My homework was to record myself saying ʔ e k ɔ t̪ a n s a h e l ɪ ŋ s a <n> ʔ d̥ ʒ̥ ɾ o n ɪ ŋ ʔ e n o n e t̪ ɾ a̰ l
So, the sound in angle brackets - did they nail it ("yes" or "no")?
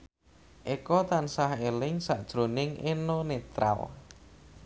no